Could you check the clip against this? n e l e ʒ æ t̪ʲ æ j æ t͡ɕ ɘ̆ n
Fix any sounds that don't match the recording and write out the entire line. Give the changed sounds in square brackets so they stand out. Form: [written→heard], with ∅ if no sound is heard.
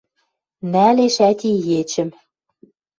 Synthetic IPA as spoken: n [e→æ] l e [ʒ→ʃ] æ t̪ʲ [æ→i] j [æ→e] t͡ɕ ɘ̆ [n→m]